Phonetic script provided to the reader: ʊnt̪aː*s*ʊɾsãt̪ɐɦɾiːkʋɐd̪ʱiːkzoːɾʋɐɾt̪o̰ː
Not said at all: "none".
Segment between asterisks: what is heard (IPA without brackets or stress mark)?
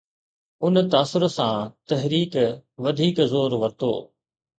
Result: s